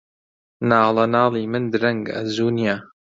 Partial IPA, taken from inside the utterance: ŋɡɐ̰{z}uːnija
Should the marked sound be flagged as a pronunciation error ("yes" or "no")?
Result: no